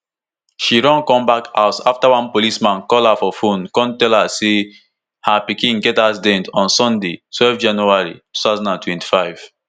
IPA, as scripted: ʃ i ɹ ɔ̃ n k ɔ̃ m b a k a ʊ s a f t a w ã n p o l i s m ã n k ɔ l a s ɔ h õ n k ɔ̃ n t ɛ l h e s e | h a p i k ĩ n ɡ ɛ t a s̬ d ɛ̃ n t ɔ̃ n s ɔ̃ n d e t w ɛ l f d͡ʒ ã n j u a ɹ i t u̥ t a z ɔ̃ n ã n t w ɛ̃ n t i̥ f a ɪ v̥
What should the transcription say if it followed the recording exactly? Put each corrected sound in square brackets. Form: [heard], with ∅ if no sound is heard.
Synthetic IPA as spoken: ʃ i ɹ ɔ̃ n k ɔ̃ m b a k a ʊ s a f t a w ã n p o l i s m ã n k ɔ l a [f] ɔ [f] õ n k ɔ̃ n t ɛ l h [a] s e | h a p i k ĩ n ɡ ɛ t a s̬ d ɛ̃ n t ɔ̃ n s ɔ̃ n d e t w ɛ l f d͡ʒ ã n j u a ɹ i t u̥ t a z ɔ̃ n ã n t w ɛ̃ n t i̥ f a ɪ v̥